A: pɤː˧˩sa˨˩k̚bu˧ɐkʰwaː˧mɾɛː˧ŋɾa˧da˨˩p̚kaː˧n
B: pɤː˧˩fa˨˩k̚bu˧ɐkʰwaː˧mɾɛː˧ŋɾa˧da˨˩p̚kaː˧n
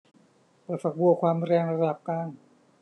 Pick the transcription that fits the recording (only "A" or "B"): B